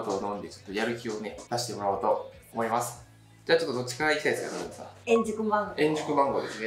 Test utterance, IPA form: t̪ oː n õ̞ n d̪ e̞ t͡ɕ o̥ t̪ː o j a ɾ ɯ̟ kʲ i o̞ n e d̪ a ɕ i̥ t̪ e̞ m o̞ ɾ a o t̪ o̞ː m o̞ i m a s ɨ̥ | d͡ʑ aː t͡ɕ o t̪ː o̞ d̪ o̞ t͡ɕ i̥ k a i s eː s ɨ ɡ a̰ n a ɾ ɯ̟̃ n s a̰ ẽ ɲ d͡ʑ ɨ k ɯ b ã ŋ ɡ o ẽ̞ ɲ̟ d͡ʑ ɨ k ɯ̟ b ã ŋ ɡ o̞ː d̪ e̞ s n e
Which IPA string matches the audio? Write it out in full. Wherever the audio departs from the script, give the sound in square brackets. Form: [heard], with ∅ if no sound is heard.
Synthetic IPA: t̪ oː n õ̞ n d̪ e̞ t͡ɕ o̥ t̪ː o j a ɾ ɯ̟ kʲ i o̞ n e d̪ a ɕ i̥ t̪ e̞ m o̞ ɾ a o t̪ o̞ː m o̞ i m a s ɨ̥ | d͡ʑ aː t͡ɕ o t̪ː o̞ d̪ o̞ t͡ɕ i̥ k a i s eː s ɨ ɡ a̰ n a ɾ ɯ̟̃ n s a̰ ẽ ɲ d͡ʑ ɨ k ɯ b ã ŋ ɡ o ẽ̞ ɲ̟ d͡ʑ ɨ k ɯ̟ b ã ŋ ɡ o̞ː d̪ e̞ s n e